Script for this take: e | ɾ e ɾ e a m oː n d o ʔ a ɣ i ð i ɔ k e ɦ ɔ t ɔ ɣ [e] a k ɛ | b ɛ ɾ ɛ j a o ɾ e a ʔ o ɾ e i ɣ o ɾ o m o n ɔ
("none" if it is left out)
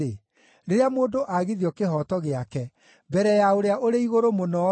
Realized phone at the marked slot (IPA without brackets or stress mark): e